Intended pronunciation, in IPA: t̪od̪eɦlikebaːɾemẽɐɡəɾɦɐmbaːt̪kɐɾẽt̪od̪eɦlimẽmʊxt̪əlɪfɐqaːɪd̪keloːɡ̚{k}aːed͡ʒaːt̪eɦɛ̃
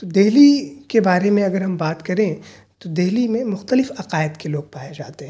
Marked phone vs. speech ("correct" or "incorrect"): incorrect